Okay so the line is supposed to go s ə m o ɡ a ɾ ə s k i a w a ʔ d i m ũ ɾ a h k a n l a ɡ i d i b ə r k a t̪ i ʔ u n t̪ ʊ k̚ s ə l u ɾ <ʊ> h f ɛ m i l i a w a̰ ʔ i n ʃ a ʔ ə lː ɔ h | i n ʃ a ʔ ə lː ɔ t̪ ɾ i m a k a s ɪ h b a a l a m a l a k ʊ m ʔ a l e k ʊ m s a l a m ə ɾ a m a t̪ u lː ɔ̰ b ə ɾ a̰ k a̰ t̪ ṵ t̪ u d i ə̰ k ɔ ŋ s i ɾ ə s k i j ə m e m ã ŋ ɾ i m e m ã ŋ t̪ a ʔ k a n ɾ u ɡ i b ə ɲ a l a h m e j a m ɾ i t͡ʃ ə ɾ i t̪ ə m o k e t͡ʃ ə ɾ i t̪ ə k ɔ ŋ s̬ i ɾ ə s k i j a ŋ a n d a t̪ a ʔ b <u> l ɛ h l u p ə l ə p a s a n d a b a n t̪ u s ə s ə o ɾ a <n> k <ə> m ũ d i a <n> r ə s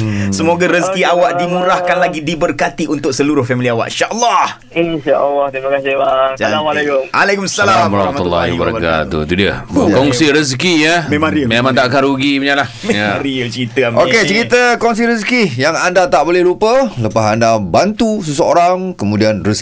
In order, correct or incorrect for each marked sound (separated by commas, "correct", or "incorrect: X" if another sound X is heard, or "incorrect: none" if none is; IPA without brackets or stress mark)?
correct, incorrect: o, incorrect: ŋ, correct, correct